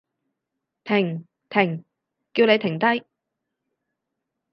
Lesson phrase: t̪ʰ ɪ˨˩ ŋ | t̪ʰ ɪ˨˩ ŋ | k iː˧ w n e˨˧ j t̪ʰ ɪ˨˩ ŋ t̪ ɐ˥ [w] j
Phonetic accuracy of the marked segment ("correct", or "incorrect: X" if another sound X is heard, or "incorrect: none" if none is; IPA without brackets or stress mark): incorrect: none